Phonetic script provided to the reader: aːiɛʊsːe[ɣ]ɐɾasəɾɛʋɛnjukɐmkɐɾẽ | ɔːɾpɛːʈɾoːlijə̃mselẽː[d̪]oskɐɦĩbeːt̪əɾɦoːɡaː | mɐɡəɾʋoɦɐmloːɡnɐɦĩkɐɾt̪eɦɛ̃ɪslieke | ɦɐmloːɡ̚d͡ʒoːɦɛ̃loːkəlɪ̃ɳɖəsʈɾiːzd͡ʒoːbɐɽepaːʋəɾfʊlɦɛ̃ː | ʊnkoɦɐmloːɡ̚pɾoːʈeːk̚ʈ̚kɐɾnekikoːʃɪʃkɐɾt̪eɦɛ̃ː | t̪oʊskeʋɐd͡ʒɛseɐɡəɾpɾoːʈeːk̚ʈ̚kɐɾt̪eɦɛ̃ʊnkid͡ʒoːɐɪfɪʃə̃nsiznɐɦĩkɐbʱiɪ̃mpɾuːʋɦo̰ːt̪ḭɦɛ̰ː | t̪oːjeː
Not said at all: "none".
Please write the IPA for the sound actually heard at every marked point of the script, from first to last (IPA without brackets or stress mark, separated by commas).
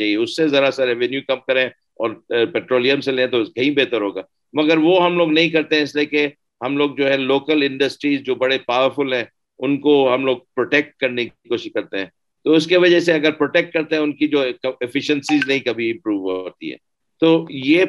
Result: z, t̪